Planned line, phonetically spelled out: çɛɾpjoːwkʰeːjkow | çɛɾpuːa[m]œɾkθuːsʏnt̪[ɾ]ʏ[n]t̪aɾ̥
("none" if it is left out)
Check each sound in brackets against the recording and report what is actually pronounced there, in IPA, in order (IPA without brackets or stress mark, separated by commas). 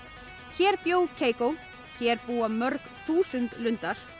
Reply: m, l, n